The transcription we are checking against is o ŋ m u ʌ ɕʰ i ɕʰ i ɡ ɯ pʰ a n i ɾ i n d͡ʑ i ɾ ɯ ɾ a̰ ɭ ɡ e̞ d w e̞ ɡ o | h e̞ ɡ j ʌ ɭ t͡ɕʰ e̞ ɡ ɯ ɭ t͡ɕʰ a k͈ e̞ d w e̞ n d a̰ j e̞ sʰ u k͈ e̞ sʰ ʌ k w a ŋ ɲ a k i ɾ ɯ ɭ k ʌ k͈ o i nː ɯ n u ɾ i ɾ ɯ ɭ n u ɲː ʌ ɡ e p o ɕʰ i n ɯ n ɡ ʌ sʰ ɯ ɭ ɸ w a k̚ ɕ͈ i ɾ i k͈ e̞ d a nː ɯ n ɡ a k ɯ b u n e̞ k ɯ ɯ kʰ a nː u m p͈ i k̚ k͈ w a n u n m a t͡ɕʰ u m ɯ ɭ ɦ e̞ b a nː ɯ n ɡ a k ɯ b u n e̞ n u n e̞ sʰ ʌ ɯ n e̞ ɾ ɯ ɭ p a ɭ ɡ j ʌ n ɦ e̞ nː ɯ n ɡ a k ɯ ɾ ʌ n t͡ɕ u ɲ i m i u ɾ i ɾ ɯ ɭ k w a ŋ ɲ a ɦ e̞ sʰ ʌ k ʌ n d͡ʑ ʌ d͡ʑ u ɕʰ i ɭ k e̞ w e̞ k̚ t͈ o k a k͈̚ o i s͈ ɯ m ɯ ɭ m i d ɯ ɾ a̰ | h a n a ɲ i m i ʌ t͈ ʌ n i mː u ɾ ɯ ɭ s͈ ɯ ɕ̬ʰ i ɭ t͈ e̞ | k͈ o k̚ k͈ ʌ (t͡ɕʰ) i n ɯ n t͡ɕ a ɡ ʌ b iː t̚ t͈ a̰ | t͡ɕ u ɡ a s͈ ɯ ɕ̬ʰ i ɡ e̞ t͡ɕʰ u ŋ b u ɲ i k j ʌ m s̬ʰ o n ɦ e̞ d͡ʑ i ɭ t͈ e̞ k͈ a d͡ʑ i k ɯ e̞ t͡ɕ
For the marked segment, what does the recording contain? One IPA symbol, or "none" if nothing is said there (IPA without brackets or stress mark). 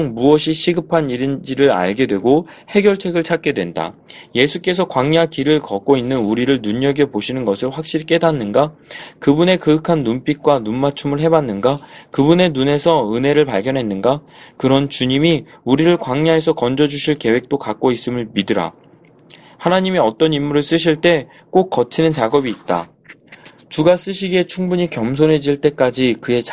t͡ɕʰ